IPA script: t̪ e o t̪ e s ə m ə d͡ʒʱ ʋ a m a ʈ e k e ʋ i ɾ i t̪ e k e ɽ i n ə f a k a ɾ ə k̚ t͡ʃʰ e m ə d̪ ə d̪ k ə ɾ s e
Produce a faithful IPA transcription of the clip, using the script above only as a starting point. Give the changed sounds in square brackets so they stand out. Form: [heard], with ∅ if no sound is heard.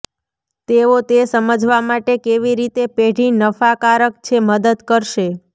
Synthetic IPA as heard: t̪ e o t̪ e s ə m ə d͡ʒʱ ʋ a m a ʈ e k e ʋ i ɾ i t̪ e [p] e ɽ i n ə f a k a ɾ ə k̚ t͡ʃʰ e m ə d̪ ə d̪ k ə ɾ [ʃ] e